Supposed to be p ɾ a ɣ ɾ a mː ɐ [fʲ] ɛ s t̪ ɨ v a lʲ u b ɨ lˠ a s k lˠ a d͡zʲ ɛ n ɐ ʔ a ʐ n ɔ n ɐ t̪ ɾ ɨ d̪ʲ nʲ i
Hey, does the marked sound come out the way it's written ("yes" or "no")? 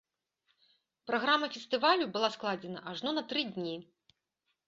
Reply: yes